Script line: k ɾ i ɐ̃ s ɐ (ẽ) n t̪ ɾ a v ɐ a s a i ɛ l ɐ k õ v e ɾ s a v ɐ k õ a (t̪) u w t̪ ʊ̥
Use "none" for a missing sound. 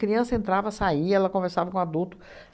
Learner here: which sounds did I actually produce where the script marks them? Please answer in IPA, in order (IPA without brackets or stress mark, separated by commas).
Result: ẽ, d̪